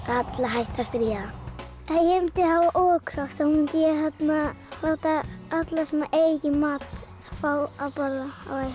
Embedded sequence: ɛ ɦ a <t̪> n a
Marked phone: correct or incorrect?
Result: correct